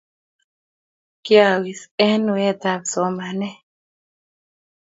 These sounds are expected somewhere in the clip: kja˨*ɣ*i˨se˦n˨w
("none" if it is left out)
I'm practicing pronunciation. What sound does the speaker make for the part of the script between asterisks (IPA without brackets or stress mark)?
w